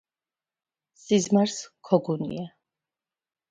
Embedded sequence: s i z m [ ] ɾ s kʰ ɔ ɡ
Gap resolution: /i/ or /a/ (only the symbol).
a